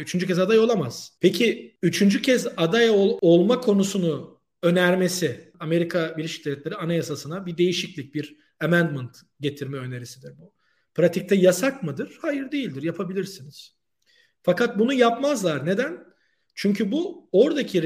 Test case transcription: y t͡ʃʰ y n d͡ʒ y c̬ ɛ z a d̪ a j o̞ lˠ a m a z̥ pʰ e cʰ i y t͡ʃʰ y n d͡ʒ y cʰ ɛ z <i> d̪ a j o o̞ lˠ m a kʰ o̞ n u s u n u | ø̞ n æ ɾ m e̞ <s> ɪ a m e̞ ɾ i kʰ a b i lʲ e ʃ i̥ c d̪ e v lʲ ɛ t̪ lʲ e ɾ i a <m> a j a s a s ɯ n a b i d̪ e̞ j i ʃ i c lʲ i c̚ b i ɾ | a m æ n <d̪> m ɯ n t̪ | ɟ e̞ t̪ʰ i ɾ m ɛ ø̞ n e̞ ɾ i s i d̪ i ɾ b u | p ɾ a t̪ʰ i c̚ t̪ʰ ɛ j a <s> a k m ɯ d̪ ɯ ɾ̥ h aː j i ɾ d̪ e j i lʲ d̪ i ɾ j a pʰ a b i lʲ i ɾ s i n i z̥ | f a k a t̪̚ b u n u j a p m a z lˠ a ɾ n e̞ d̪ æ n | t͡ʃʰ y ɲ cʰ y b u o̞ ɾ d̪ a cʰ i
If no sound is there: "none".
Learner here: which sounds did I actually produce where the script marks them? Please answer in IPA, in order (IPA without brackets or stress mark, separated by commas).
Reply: a, s, n, d̪, s